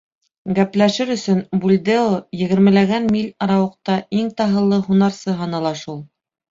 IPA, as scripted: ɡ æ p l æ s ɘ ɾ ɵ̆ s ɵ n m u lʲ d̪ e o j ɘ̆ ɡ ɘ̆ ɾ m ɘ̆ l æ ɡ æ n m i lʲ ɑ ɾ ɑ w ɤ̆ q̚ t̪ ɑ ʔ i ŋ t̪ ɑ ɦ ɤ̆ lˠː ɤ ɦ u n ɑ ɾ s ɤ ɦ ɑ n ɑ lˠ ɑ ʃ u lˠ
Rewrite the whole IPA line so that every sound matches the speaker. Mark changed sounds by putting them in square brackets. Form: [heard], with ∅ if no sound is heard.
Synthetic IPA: ɡ æ p l æ [ʃ] ɘ ɾ ɵ̆ s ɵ n [b] u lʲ d̪ e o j ɘ̆ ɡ ɘ̆ ɾ m ɘ̆ l æ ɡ æ n m i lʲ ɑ ɾ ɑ w ɤ̆ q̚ t̪ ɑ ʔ i ŋ t̪ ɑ ɦ ɤ̆ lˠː ɤ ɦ u n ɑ ɾ s ɤ ɦ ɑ n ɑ lˠ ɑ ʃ u lˠ